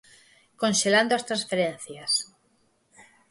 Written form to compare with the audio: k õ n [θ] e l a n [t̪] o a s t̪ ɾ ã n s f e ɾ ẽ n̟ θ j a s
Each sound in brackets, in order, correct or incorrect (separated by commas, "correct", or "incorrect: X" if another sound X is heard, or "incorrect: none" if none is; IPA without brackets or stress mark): incorrect: ʃ, incorrect: d̪